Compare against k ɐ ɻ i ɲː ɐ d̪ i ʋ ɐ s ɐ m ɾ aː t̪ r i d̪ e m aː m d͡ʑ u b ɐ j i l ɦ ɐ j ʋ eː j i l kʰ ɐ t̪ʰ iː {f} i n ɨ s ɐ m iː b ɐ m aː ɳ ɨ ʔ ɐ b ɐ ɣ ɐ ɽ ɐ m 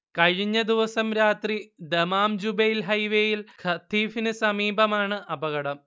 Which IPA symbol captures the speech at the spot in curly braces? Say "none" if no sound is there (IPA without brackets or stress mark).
f